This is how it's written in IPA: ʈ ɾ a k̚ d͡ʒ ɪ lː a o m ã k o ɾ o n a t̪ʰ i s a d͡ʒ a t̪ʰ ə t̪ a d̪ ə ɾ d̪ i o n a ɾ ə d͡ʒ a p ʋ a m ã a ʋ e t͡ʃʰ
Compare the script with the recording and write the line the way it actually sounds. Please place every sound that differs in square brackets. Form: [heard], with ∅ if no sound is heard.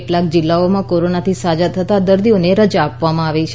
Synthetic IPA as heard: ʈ [l] a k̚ d͡ʒ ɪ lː a o m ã k o ɾ o n a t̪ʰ i s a d͡ʒ a t̪ʰ ə t̪ a d̪ ə ɾ d̪ i o n [e] ɾ ə d͡ʒ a p ʋ a m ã a ʋ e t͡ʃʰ

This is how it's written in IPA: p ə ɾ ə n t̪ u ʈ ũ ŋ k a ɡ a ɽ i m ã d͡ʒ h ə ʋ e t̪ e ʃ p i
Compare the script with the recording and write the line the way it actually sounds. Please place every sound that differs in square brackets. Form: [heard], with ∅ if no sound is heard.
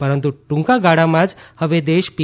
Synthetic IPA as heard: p ə ɾ ə n t̪ u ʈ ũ ŋ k a ɡ a ɽ [a] m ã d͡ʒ h ə ʋ e [d̪] e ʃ p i

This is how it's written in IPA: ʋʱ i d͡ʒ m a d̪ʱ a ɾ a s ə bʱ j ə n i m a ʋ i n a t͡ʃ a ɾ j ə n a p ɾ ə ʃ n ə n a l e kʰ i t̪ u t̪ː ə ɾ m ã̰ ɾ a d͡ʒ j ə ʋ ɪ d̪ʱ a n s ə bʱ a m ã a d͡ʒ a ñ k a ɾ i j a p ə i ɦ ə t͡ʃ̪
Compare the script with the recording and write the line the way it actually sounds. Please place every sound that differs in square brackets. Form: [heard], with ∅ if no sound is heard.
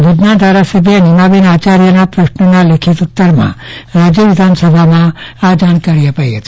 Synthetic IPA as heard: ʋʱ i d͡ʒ [n] a d̪ʱ a ɾ a s ə bʱ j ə n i m a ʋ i n a t͡ʃ a ɾ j ə n a p ɾ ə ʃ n ə n a l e kʰ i t̪ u t̪ː ə ɾ m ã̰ ɾ a d͡ʒ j ə ʋ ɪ d̪ʱ a n s ə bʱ a m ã a d͡ʒ a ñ k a ɾ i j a p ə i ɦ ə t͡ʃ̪

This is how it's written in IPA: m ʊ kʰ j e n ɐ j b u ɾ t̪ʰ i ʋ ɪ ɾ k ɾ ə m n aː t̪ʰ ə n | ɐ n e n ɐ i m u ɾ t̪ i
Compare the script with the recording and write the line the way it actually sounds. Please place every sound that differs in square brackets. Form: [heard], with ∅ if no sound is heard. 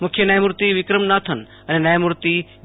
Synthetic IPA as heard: m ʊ kʰ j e n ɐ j [m] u ɾ [t̪] i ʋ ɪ [∅] k ɾ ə m n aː t̪ʰ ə n | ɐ n e n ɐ [j] m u ɾ t̪ i

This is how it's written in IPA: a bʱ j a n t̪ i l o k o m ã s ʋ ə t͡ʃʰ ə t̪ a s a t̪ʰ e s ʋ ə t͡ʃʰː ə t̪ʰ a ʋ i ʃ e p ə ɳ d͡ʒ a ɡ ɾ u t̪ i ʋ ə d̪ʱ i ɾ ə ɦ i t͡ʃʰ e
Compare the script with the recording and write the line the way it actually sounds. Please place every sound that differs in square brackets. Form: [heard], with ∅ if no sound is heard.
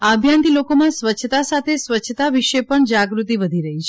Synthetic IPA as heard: a bʱ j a n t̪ i l o k o m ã s ʋ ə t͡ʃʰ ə t̪ a s a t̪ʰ e s ʋ ə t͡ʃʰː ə [t̪] a ʋ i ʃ e p ə ɳ d͡ʒ a ɡ ɾ u t̪ i ʋ ə d̪ʱ i ɾ ə ɦ i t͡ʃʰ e

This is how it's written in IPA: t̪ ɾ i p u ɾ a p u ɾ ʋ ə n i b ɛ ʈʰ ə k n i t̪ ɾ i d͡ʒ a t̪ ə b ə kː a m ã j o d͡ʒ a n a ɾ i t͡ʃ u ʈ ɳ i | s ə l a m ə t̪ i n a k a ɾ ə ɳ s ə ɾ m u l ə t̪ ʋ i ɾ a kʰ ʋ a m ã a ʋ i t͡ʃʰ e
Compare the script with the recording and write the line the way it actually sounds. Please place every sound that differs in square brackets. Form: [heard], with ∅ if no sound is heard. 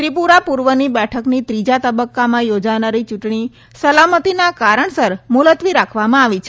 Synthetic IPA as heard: t̪ ɾ i p u ɾ a p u ɾ ʋ ə n i b ɛ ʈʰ ə k n i t̪ ɾ i d͡ʒ a t̪ ə b ə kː a m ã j o d͡ʒ a n a ɾ i t͡ʃ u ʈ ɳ i | s ə l a m ə t̪ i n a k a ɾ ə ɳ s ə ɾ m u l ə t̪ ʋ i ɾ a kʰ ʋ a m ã a ʋ i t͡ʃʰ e

